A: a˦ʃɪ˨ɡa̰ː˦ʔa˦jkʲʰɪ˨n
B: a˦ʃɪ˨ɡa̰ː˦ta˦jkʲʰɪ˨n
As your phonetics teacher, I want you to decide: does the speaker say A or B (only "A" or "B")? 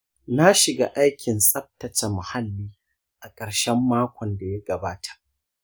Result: A